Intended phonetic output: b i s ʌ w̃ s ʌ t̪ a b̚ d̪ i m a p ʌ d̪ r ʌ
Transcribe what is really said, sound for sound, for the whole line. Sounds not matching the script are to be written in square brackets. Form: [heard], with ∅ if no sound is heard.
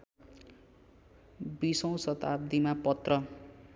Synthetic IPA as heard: b i s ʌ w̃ s ʌ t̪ a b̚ d̪ i m a p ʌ [t̪] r ʌ